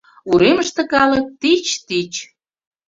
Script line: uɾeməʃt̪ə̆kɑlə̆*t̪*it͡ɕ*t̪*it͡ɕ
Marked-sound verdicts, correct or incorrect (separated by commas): correct, correct